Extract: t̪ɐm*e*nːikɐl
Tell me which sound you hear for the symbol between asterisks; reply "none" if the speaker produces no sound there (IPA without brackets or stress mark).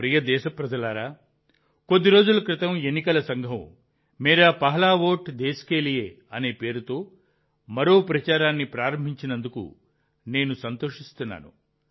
e